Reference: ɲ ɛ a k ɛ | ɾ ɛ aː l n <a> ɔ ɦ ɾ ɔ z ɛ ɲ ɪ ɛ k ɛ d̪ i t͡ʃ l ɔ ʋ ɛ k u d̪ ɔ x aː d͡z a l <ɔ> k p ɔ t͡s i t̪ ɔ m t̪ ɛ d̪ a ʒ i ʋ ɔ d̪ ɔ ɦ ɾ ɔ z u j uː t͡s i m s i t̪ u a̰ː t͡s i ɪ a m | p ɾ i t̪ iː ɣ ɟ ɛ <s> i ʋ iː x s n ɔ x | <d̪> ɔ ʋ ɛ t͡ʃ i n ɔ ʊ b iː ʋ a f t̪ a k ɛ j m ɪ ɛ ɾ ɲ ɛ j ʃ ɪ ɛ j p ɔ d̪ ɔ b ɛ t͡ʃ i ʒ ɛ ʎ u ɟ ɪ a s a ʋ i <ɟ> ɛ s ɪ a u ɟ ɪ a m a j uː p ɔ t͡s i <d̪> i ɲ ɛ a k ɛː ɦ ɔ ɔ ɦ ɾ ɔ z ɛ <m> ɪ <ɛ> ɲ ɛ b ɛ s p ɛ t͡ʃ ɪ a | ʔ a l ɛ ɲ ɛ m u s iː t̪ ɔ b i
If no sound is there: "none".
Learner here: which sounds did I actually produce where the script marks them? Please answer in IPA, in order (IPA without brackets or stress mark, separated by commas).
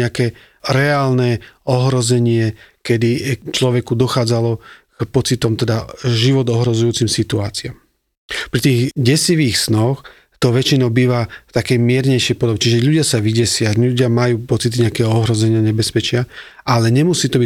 ɛ, ɔ, s, t̪, ɟ, t̪, ɲ, a